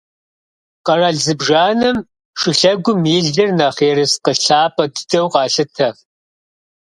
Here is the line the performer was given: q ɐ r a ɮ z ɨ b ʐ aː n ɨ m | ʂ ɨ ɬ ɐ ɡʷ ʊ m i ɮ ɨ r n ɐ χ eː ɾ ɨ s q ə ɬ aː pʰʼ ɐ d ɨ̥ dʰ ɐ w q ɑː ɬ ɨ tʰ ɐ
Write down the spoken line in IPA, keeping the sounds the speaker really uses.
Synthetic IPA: q ɐ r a ɮ z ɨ b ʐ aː n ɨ m | ʂ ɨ ɬ ɐ ɡʷ ʊ m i ɮ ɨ r n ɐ χ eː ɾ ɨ s q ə ɬ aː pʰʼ ɐ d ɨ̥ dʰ ɐ w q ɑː ɬ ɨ tʰ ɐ